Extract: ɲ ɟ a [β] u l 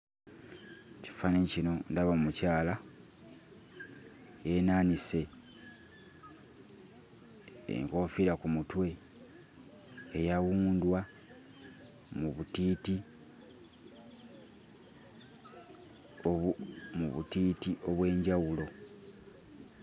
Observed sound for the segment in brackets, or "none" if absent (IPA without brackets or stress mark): w